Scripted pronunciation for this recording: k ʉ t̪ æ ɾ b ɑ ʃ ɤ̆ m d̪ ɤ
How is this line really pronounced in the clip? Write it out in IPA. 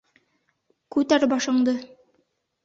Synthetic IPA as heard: k ʉ t̪ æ ɾ b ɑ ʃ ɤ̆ ɴ d̪ ɤ